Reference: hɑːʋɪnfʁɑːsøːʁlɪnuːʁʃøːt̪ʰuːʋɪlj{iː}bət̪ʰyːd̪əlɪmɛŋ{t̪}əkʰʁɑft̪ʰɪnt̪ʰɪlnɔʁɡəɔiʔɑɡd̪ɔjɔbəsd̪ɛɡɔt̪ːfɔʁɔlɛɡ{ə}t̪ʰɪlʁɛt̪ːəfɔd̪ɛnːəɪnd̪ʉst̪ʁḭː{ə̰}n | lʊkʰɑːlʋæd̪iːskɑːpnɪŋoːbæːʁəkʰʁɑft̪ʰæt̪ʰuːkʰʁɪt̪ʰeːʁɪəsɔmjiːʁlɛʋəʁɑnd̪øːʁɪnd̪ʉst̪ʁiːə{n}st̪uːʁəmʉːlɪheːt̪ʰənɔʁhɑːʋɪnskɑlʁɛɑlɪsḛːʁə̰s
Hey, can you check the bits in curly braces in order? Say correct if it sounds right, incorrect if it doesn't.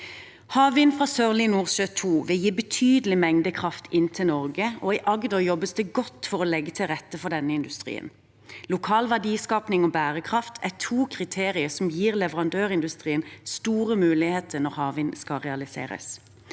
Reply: correct, incorrect, correct, correct, correct

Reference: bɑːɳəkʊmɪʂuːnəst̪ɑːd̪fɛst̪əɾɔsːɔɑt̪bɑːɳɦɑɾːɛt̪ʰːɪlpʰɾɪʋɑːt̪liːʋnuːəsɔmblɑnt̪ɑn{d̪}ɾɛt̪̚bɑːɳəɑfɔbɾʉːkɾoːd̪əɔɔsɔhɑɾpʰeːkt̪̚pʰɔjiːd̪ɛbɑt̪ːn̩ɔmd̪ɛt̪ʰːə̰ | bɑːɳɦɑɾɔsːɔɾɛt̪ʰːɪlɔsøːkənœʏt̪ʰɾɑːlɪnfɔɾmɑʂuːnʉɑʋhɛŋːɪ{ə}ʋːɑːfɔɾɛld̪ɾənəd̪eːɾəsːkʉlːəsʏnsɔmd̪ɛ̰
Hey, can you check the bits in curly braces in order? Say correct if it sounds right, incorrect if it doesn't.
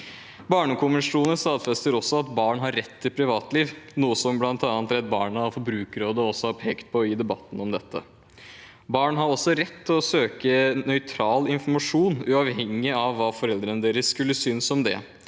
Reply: incorrect, incorrect

